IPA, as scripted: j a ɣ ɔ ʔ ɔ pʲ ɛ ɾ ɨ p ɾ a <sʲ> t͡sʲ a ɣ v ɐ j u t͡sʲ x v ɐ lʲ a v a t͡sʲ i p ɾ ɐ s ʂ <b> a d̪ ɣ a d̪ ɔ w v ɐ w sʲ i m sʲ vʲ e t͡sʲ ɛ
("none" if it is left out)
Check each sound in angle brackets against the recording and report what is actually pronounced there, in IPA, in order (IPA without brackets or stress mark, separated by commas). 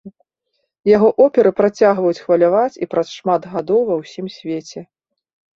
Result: none, m